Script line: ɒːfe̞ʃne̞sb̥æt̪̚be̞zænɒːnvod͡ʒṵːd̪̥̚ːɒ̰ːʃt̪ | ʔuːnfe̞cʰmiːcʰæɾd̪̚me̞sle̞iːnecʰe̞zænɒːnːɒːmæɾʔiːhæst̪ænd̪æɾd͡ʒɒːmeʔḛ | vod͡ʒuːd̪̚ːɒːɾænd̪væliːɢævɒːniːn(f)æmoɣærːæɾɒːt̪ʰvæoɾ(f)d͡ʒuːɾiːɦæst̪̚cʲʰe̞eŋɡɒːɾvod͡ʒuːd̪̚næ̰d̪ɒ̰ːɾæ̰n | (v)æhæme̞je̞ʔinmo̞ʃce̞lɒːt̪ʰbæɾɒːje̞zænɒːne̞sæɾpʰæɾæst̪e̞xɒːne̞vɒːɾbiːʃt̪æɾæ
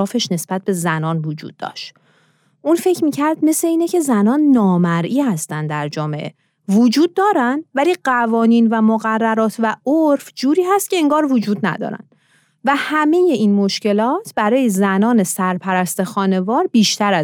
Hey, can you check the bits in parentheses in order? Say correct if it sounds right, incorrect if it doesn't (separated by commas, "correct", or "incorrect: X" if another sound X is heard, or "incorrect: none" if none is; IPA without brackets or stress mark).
incorrect: v, correct, correct